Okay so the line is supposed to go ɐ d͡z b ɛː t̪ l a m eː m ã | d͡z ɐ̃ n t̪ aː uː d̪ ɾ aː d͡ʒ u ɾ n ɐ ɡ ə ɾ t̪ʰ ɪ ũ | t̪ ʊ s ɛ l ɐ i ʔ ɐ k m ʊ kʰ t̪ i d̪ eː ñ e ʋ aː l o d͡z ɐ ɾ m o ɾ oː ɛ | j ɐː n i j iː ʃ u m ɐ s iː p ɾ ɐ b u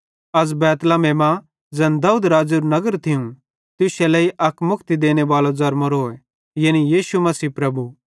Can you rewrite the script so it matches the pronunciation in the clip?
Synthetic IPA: ɐ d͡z b ɛː t̪ l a m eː m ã | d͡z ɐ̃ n d̪ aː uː d̪ ɾ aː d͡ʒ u ɾ n ɐ ɡ ə ɾ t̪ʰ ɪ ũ | t̪ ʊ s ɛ l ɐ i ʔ ɐ k m ʊ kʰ t̪ i d̪ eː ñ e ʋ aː l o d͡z ɐ ɾ m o ɾ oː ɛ | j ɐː n i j iː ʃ u m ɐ s iː p ɾ ɐ b u